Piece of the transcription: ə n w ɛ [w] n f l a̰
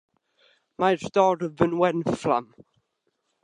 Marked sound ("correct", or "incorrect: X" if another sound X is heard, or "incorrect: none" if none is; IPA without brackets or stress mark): incorrect: none